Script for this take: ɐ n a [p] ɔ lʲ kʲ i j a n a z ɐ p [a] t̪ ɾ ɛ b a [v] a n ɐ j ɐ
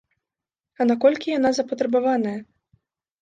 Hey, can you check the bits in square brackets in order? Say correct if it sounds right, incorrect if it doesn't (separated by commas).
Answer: incorrect, incorrect, correct